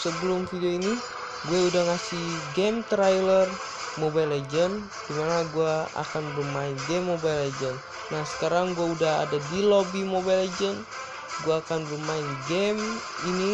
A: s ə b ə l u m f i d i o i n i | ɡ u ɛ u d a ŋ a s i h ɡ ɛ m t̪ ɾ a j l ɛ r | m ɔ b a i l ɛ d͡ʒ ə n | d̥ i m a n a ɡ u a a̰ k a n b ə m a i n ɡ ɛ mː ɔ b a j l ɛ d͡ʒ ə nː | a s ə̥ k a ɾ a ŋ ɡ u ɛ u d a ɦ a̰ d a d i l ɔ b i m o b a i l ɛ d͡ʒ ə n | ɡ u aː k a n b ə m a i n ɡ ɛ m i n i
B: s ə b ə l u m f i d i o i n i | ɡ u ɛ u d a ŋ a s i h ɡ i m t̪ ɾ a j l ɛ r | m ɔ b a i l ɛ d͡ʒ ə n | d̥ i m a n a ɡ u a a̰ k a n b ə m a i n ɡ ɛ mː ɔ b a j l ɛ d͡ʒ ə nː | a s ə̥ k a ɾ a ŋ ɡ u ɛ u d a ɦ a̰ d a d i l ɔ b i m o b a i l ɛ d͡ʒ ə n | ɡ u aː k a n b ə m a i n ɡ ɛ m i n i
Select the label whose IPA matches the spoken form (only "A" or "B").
A